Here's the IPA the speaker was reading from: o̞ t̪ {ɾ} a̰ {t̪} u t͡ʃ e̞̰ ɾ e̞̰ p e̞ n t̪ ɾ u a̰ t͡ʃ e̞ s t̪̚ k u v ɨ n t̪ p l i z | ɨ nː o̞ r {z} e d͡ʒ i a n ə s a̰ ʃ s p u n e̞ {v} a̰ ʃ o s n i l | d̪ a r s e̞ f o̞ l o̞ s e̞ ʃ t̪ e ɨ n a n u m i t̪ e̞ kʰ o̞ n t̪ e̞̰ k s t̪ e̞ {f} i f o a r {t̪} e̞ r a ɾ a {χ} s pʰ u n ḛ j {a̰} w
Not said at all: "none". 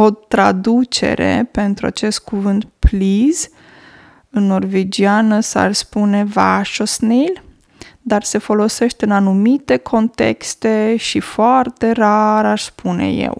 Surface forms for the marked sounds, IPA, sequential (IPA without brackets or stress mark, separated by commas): ɾ, d̪, v, v, ʃ, t̪, ʃ, ḛ